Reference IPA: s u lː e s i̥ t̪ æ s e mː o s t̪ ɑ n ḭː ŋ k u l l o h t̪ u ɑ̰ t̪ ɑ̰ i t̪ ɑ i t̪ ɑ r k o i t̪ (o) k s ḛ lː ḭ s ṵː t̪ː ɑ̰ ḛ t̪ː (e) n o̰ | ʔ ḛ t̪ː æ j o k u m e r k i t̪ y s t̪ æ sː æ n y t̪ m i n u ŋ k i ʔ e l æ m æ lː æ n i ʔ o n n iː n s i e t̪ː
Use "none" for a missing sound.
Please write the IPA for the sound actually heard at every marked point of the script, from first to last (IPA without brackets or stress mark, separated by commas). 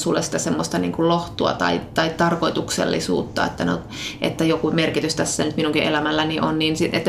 u, æ